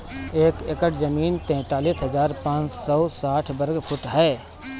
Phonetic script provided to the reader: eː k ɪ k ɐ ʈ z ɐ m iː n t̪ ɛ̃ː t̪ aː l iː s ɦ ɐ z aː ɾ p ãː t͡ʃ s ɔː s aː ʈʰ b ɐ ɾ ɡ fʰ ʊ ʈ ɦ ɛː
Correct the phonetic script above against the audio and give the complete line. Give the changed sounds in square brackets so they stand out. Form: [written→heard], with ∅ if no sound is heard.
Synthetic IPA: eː k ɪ k [ɐ→ə] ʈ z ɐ m iː n t̪ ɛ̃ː t̪ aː l iː s ɦ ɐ z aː ɾ p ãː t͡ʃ s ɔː s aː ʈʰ b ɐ ɾ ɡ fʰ ʊ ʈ ɦ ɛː